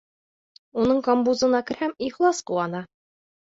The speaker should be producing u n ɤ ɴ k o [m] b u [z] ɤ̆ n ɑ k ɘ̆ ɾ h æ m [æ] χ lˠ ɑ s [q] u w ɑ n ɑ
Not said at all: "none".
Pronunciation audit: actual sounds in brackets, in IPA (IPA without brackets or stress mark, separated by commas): m, z, i, q